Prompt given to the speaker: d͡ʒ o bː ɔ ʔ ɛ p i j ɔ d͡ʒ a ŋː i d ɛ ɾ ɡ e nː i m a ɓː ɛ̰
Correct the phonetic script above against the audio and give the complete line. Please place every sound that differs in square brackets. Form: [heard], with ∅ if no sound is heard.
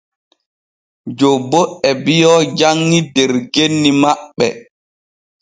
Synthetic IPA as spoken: d͡ʒ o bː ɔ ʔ ɛ [b] i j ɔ d͡ʒ a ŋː i d ɛ ɾ ɡ e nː i m a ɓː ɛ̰